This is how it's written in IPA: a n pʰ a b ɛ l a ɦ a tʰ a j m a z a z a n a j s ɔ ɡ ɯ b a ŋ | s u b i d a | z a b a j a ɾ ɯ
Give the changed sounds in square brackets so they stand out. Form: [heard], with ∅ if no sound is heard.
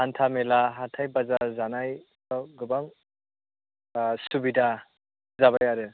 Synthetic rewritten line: a n [tʰ] a [m] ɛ l a ɦ a tʰ a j [b] a z a z a n a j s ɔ ɡ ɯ b a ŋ | s u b i d a | z a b a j a ɾ ɯ

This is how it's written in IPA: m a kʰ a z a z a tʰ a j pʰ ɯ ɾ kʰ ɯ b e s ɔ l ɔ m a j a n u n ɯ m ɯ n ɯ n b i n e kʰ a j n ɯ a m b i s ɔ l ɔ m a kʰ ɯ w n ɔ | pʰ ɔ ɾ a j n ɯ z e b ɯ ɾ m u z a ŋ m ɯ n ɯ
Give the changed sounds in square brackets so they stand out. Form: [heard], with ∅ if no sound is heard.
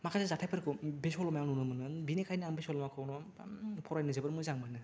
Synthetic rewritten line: m a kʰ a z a z a tʰ a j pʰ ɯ ɾ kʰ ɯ b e s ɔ l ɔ m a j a n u n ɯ m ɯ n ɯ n b i n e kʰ a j n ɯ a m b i s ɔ l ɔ m a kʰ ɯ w n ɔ | pʰ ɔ ɾ a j n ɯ z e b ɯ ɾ m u z a ŋ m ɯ n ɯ

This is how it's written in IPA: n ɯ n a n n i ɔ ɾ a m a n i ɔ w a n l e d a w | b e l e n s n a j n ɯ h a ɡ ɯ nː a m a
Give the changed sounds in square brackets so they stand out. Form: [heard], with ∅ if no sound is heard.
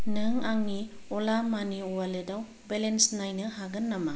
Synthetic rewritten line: n ɯ [ŋ] a [ŋ] n i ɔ [l] a m a n i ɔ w a [∅] l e d a w | b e l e n s n a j n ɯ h a ɡ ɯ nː a m a

